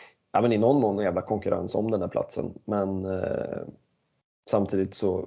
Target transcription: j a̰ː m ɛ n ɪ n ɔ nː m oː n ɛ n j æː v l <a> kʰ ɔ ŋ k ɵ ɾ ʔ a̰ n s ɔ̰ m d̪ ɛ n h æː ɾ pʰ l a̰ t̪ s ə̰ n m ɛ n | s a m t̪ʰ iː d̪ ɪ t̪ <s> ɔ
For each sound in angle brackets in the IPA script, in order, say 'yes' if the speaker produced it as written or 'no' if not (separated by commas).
yes, yes